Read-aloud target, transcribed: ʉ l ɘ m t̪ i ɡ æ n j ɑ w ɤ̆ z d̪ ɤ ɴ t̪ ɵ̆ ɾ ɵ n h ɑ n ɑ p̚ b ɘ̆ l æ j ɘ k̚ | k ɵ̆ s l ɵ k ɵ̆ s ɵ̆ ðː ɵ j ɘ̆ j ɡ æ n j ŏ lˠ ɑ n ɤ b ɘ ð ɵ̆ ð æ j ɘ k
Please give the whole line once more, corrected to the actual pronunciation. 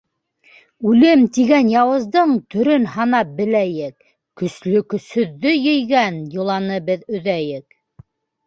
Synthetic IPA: ʉ l ɘ m t̪ i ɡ æ n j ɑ w ɤ̆ z d̪ ɤ ɴ t̪ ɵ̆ ɾ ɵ n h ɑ n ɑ p̚ b ɘ̆ l æ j ɘ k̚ | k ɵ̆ s l ɵ k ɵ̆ s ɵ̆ ðː ɵ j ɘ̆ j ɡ æ n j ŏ lˠ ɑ n ɤ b ɘ ð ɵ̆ ð æ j ɘ k

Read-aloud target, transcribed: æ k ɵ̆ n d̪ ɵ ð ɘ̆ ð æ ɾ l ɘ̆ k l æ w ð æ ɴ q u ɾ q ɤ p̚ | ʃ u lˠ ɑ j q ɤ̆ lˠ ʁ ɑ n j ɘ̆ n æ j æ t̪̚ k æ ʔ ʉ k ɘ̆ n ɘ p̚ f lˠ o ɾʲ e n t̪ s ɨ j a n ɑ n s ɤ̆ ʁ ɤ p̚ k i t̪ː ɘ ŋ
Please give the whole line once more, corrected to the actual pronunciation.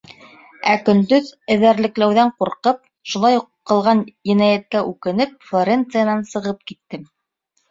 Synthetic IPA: æ k ɵ̆ n d̪ ɵ ð ɘ̆ ð æ ɾ l ɘ̆ k l æ w ð æ ɴ q u ɾ q ɤ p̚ | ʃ u lˠ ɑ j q ɤ̆ lˠ ʁ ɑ n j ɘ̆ n æ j æ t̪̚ k æ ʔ ʉ k ɘ̆ n ɘ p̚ f lˠ o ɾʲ e n t̪ s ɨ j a n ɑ n s ɤ̆ ʁ ɤ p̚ k i t̪ː ɘ m

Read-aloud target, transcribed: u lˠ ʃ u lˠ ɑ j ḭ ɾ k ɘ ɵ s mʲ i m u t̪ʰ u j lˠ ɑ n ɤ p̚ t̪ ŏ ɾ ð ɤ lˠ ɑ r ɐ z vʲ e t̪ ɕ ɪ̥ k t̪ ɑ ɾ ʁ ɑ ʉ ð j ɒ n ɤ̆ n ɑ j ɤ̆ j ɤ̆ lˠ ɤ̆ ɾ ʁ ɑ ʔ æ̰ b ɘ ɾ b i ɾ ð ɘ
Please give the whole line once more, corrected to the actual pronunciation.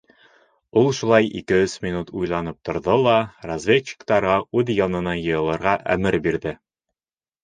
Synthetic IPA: u lˠ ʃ u lˠ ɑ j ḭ k ɘ ɵ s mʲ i n u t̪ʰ u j lˠ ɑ n ɤ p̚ t̪ ŏ ɾ ð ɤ lˠ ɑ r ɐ z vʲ e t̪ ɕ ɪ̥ k t̪ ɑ ɾ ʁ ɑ ʉ ð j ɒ n ɤ̆ n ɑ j ɤ̆ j ɤ̆ lˠ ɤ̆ ɾ ʁ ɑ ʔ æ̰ m ɘ ɾ b i ɾ ð ɘ

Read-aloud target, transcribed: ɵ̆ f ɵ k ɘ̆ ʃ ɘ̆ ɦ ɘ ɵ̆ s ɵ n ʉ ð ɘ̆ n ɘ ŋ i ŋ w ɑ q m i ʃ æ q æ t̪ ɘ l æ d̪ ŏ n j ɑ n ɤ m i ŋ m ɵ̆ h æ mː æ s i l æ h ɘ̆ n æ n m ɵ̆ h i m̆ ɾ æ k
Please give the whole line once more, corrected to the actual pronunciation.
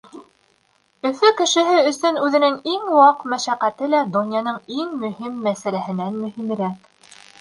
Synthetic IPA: ɵ̆ f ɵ k ɘ̆ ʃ ɘ̆ ɦ ɘ ɵ̆ s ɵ n ʉ ð ɘ̆ n ɘ ŋ i ŋ w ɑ q m æ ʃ æ q æ t̪ ɘ l æ d̪ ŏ n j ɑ n ɤ ɴ i ŋ m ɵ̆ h i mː æ s æ l æ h ɘ̆ n æ n m ɵ̆ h i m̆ ɾ æ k

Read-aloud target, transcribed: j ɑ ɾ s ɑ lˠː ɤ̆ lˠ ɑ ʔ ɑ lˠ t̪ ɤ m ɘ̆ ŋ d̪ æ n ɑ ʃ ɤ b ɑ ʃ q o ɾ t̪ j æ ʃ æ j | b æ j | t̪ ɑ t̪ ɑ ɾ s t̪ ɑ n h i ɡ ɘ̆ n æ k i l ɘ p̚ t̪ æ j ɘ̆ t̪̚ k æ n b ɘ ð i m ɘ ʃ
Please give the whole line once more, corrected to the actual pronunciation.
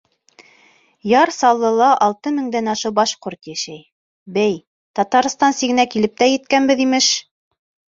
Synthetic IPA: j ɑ ɾ s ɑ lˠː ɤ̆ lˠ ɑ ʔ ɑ lˠ t̪ ɤ m ɘ̆ ŋ d̪ æ n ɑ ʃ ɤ b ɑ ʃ q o ɾ t̪ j æ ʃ æ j | b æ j | t̪ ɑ t̪ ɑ ɾ s t̪ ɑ n s i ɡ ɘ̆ n æ k i l ɘ p̚ t̪ æ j ɘ̆ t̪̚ k æ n b ɘ ð i m ɘ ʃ

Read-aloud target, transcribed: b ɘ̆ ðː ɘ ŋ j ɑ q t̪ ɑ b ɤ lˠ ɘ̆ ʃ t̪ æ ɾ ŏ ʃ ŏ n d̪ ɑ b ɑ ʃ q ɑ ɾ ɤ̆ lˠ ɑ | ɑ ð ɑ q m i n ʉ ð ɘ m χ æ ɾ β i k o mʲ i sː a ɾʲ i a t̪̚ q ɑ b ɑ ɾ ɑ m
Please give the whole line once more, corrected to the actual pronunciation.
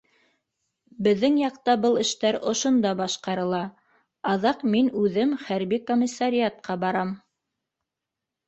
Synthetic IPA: b ɘ̆ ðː ɘ ŋ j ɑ q t̪ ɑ b ɤ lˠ ɘ̆ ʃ t̪ æ ɾ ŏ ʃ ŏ n d̪ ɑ b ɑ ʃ q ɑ ɾ ɤ̆ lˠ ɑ | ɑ ð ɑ q m i n ʉ ð ɘ m χ æ ɾ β i k o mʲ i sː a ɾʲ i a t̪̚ q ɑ b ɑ ɾ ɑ m

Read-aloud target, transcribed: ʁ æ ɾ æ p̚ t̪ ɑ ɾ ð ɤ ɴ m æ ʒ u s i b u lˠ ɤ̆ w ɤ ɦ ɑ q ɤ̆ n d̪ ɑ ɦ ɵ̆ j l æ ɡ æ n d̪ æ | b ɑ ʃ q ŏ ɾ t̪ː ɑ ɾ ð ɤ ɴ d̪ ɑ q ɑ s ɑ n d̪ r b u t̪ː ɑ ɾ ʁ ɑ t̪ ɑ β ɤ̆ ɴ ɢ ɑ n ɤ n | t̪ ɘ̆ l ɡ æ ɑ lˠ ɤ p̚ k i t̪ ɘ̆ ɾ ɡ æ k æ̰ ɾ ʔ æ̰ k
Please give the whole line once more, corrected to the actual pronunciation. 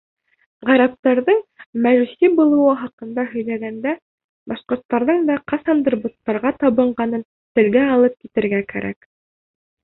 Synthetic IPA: ʁ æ ɾ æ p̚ t̪ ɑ ɾ ð ɤ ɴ m æ ʒ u s i b u lˠ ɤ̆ w ɤ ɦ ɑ q ɤ̆ n d̪ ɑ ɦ ɵ̆ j l æ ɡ æ n d̪ æ | b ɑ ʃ q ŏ ɾ t̪ː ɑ ɾ ð ɤ ɴ d̪ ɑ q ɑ s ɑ n d̪ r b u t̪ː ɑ ɾ ʁ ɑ t̪ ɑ β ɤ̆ ɴ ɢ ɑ n ɤ n | t̪ ɘ̆ l ɡ æ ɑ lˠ ɤ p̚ k i t̪ ɘ̆ ɾ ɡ æ k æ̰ ɾ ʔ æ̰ k

